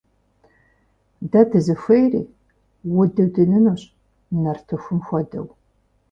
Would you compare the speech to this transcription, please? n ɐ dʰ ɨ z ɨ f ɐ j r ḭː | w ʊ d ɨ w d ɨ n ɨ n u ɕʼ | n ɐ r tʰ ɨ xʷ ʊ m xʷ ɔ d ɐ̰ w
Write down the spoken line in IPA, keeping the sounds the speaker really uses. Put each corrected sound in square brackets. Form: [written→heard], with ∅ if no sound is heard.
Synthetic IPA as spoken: [n→d] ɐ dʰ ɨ z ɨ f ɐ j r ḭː | w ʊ d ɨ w d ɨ n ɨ n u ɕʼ | n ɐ r tʰ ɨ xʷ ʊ m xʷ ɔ d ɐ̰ w